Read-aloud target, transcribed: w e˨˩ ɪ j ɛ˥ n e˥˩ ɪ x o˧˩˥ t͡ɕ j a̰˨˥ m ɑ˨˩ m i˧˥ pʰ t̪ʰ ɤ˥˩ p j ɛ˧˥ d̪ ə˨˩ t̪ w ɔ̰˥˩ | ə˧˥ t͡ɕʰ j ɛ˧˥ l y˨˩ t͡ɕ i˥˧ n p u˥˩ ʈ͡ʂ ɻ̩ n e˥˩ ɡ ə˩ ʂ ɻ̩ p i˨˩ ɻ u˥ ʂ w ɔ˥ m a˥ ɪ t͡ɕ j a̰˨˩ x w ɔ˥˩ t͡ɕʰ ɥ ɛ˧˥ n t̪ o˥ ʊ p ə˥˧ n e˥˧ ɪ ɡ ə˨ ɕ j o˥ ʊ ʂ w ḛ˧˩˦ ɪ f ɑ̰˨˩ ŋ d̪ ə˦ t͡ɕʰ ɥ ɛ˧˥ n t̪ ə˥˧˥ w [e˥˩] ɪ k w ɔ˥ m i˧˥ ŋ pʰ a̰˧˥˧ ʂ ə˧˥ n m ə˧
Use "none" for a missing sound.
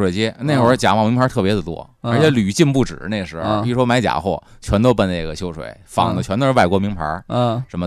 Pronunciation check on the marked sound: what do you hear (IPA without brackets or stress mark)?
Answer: a˥˩